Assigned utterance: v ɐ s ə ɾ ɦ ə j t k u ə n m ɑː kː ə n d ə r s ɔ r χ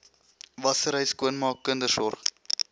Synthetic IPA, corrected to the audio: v ɐ s ə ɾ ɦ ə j s k u ə n m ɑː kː ə n d ə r s ɔ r χ